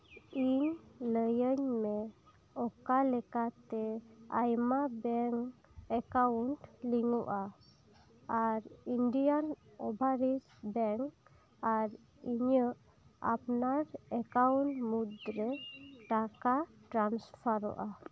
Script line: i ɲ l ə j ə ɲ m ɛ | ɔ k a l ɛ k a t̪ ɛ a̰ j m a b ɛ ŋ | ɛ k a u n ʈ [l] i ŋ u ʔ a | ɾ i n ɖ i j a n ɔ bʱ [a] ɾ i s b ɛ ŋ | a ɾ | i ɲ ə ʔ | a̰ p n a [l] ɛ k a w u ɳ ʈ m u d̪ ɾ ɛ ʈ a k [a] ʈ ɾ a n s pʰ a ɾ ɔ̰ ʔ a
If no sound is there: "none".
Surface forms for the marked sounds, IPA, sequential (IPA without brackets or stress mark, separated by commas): l, a, ɾ, a